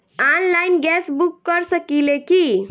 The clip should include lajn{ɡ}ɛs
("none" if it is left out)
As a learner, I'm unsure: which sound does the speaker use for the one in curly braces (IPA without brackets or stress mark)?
ɡ